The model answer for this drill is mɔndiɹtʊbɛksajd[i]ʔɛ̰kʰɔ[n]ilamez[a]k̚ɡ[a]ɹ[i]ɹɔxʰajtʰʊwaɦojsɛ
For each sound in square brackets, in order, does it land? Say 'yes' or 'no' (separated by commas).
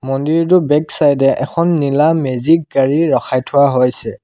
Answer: no, no, no, yes, yes